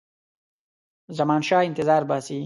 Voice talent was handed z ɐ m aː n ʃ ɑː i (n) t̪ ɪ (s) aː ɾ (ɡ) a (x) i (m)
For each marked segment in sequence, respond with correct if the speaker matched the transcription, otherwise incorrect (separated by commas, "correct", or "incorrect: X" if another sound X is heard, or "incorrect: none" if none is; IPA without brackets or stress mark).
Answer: correct, incorrect: z, incorrect: b, incorrect: s, incorrect: none